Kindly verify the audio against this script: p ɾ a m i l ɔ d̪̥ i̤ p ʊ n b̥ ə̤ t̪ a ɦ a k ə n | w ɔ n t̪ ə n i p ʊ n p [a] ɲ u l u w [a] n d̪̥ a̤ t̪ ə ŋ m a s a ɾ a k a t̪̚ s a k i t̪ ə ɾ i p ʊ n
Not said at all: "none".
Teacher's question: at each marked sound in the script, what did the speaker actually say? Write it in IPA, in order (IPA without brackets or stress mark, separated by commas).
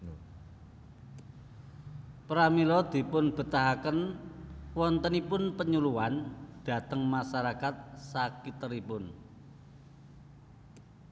ə, a